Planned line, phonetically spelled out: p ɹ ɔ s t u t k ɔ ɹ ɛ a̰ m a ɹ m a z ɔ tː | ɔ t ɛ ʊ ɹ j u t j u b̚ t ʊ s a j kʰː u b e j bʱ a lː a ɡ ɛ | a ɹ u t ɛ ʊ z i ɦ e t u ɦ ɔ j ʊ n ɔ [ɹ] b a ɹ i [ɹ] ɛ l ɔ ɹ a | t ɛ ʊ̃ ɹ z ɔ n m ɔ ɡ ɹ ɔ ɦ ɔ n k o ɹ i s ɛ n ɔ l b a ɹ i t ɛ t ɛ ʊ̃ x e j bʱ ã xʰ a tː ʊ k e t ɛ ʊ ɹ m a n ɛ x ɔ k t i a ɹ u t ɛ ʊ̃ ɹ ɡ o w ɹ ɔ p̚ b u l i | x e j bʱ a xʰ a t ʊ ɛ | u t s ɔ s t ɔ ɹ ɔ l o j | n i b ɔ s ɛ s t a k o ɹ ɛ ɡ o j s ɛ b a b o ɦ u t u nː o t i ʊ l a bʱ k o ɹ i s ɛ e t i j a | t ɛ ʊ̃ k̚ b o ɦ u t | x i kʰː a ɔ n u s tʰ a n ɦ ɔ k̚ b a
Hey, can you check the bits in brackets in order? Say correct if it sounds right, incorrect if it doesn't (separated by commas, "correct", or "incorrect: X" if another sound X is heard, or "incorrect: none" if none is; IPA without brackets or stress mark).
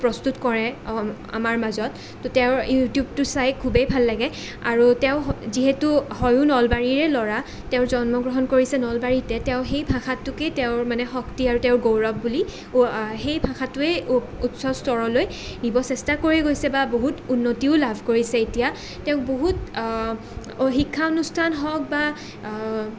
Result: incorrect: l, correct